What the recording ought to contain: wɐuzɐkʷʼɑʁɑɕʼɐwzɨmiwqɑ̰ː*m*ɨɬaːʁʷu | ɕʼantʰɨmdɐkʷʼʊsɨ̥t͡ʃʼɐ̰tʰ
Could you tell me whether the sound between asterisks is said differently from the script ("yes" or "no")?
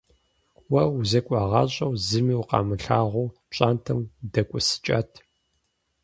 no